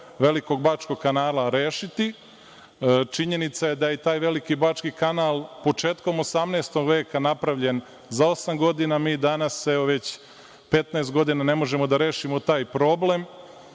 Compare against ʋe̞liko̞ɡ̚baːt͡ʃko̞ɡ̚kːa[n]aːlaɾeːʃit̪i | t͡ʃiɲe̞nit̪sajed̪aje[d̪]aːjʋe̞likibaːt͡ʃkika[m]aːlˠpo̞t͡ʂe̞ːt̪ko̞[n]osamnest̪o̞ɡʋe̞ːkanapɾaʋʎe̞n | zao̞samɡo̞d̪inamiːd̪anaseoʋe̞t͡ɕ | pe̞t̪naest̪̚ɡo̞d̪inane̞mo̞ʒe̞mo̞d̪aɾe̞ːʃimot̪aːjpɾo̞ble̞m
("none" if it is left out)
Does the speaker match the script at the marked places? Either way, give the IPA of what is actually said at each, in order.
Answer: n, t̪, n, m

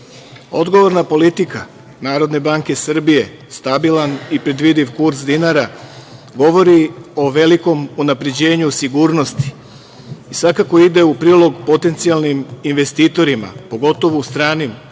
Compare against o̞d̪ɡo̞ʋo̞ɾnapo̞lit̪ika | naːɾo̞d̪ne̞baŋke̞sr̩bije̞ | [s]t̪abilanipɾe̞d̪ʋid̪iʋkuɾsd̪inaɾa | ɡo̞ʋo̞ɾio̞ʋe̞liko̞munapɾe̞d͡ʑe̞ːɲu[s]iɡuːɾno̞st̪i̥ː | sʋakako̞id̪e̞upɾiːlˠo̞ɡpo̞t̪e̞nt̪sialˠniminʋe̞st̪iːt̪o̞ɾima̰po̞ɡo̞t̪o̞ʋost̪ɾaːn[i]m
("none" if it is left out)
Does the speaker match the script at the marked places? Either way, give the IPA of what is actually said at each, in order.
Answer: s, s, i

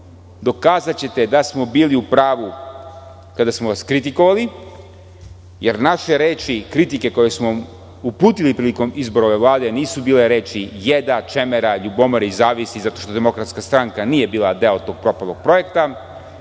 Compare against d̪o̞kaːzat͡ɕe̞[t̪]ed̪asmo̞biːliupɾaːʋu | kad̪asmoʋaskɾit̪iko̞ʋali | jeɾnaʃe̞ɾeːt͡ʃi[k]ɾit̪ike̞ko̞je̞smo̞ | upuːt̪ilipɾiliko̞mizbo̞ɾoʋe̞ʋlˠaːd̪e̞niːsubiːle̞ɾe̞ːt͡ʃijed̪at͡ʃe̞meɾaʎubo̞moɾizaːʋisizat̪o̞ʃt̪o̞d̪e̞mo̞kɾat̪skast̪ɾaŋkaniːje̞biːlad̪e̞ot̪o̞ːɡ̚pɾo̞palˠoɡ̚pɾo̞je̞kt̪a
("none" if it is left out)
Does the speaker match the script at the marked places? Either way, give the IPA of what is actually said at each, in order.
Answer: t̪, k

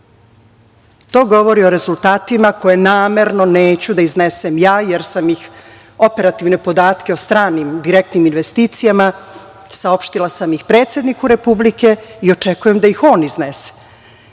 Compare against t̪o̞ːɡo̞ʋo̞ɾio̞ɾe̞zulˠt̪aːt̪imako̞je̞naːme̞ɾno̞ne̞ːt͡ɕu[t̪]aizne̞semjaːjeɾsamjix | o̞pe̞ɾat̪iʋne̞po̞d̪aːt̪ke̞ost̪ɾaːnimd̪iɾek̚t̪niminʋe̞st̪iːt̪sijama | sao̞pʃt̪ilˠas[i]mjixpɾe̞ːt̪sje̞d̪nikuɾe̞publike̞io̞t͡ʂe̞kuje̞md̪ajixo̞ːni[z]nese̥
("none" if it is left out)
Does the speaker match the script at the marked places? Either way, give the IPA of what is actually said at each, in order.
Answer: d̪, a, z

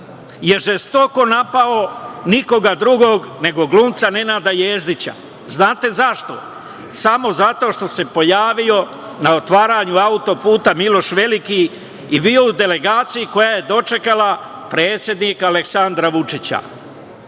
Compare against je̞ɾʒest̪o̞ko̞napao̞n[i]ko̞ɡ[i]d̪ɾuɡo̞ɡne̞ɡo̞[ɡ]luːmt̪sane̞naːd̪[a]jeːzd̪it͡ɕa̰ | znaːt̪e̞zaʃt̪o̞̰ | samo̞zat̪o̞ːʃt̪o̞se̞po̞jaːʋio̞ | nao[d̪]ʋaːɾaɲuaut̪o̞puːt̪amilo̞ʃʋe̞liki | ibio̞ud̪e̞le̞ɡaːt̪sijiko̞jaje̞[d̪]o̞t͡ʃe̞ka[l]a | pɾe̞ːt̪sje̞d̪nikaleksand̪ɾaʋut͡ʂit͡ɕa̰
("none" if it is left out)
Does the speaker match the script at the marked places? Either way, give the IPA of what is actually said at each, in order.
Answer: i, a, ɡ, a, t̪, d̪, l

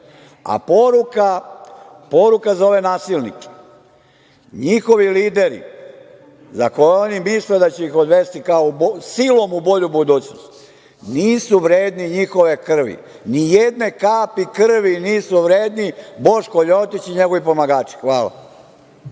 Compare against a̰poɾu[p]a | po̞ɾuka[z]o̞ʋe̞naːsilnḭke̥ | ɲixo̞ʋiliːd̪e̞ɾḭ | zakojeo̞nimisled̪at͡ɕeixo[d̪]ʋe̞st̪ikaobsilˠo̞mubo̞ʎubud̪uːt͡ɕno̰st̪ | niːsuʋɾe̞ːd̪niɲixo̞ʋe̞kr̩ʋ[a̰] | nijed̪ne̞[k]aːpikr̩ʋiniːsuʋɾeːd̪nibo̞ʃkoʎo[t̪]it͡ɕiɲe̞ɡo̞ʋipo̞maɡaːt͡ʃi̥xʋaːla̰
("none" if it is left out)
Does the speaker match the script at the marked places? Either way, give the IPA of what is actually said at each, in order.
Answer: k, z, d̪, ḭ, k, t̪

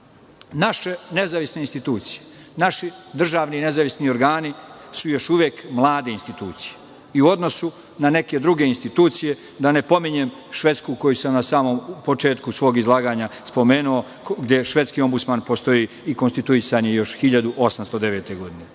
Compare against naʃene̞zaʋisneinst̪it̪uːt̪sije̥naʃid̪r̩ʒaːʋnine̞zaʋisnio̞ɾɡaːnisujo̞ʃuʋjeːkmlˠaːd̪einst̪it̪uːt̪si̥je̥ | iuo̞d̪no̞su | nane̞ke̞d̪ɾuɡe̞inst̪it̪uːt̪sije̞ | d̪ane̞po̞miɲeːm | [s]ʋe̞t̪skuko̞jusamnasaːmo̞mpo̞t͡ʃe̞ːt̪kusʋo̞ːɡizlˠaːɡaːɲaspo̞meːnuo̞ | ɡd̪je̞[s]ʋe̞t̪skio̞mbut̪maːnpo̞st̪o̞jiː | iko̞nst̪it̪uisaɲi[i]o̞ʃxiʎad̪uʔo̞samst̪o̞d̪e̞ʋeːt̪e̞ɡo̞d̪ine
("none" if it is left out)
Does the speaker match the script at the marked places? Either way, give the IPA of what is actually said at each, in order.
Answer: ʃ, ʃ, j

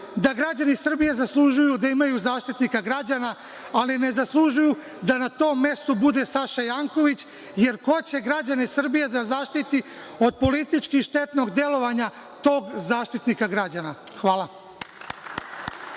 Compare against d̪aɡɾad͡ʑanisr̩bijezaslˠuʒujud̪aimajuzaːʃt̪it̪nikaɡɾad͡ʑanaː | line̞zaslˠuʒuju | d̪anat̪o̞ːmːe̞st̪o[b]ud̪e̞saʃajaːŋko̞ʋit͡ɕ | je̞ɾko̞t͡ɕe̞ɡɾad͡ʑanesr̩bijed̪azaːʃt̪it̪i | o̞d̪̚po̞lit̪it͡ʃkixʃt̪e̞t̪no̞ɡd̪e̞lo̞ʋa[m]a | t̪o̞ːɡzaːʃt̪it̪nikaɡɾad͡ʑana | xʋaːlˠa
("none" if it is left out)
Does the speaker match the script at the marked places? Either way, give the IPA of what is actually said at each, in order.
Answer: b, ɲ

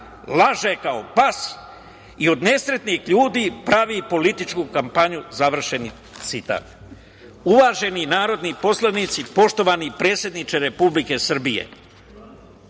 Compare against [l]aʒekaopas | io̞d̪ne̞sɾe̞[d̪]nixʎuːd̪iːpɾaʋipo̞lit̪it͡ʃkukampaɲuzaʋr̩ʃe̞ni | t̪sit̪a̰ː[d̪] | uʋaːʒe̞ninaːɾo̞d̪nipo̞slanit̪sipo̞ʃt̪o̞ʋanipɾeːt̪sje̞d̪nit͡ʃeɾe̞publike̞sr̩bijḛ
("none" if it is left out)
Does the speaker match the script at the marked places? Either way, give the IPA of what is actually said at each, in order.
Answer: l, t̪, t̪

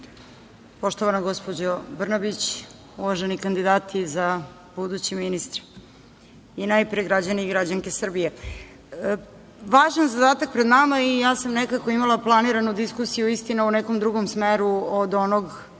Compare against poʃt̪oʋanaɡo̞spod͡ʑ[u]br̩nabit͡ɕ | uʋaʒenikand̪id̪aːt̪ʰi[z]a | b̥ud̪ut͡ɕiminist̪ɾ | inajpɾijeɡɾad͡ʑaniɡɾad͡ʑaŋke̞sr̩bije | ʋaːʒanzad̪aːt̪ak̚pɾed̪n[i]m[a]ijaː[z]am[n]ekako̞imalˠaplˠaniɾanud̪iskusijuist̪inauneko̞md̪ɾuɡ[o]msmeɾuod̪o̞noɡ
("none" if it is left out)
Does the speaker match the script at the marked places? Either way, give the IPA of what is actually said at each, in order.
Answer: o, z, a, a, s, n, o

